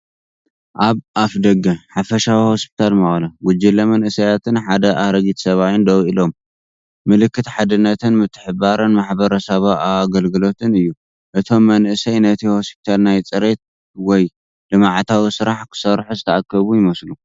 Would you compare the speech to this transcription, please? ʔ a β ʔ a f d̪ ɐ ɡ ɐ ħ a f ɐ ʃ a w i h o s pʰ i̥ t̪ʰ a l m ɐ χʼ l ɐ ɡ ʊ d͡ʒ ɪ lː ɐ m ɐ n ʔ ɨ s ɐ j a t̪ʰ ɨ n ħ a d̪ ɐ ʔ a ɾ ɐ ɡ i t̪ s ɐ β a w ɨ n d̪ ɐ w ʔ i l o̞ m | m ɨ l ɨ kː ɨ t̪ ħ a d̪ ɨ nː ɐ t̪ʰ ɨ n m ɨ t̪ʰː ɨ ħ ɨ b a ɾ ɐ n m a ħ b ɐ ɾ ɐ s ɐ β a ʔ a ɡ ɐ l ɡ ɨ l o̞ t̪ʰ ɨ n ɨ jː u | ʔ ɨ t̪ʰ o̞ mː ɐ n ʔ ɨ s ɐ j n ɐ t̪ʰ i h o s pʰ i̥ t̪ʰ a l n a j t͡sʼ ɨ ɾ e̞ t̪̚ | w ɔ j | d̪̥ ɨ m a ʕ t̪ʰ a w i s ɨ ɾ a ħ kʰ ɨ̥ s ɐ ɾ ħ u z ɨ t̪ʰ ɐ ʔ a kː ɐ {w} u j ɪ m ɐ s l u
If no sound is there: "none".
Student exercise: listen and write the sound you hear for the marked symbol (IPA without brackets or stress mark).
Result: β